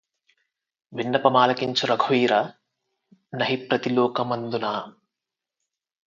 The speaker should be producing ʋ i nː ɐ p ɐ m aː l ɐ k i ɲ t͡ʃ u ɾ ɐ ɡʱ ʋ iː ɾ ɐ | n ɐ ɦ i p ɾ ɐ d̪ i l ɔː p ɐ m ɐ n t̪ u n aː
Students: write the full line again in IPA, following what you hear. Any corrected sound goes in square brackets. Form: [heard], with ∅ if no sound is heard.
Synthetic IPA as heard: ʋ i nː ɐ p ɐ m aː l ɐ k i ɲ t͡ʃ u ɾ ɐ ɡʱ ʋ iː ɾ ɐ | n ɐ ɦ i p ɾ ɐ [t̪] i l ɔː [k] ɐ m ɐ n [d̪] u n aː